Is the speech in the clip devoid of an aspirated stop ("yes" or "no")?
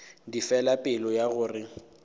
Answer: yes